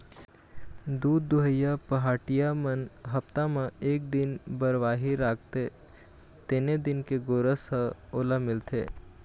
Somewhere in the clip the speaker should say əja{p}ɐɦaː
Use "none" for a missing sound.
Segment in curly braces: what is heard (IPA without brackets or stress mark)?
p